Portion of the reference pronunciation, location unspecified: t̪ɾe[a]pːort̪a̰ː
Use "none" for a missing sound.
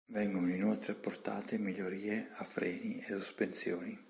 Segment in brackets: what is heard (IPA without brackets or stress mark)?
a